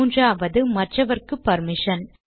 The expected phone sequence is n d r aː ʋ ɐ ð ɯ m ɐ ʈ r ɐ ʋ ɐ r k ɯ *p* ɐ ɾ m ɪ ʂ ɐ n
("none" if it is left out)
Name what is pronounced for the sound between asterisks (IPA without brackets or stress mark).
p